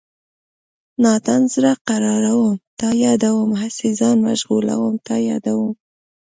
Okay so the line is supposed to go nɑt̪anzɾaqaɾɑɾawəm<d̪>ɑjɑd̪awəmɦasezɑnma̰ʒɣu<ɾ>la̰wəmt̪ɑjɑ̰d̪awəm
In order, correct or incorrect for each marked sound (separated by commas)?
incorrect, incorrect